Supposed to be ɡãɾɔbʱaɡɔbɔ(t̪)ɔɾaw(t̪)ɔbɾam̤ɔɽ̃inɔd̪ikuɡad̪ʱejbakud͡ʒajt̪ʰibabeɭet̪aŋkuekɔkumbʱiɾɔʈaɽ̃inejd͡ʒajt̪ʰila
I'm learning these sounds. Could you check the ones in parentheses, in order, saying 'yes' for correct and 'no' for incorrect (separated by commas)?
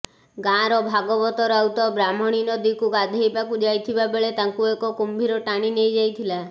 yes, yes